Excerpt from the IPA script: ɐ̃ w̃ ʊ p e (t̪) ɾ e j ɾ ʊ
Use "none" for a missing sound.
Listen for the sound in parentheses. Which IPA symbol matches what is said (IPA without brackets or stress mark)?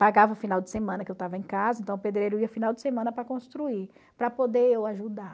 d̪